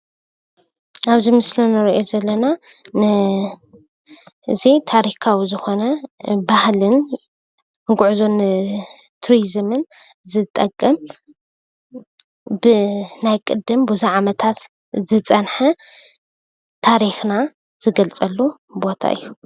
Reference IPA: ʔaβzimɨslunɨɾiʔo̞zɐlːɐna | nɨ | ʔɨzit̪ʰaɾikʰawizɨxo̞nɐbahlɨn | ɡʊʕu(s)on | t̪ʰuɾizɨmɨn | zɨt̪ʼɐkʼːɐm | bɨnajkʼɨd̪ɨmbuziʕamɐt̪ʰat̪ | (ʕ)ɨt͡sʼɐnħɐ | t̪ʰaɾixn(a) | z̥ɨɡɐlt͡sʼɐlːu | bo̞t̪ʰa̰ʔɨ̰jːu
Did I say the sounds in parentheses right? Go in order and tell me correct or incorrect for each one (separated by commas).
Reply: incorrect, incorrect, correct